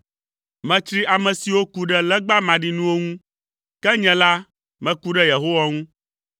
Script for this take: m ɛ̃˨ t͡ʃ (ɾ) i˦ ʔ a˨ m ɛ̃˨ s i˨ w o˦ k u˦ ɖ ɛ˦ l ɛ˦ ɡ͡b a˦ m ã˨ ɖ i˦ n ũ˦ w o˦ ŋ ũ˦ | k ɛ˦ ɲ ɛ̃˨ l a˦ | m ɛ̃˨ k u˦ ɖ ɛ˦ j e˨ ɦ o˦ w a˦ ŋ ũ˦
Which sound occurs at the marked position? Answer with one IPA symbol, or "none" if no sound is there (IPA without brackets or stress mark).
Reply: ɾ